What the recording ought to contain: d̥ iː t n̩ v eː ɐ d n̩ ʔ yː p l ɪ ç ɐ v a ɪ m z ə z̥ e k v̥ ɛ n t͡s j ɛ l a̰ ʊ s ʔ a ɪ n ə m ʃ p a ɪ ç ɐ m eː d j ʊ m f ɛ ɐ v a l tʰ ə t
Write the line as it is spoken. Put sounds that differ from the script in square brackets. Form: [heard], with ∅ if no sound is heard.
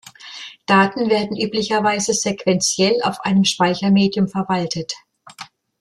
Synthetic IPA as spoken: d̥ [aː] t n̩ v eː ɐ d n̩ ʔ yː p l ɪ ç ɐ v a ɪ [∅] z ə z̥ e k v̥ ɛ n t͡s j ɛ l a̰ ʊ [f] ʔ a ɪ n ə m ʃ p a ɪ ç ɐ m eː d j ʊ m f ɛ ɐ v a l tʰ ə t